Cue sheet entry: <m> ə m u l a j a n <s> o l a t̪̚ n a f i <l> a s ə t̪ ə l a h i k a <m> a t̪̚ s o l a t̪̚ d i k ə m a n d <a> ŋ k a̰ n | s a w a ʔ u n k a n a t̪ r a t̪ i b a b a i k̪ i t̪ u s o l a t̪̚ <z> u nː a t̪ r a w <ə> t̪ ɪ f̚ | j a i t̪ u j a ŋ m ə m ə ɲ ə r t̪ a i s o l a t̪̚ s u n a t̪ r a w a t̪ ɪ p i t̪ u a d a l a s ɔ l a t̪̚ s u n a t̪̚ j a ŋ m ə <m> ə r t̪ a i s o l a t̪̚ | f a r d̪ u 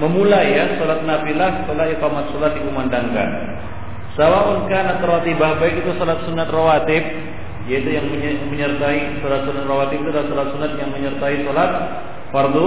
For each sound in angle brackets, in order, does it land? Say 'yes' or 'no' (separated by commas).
yes, yes, yes, yes, yes, no, no, no